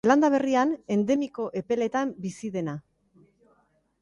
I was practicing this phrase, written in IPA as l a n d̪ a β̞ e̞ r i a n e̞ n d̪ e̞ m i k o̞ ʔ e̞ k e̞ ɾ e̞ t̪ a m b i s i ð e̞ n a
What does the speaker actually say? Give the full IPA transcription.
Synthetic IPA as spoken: l a n d̪ a β̞ e̞ r i a n e̞ n d̪ e̞ m i k o̞ ʔ e̞ p e̞ l e̞ t̪ a m b i s i ð e̞ n a